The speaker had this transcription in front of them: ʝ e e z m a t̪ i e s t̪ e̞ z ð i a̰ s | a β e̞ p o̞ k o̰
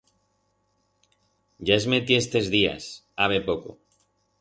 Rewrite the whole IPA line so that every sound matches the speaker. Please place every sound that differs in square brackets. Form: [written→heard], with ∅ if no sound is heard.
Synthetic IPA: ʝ [e→a] e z m [a→e] t̪ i e s t̪ e̞ z ð i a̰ s | a β e̞ p o̞ k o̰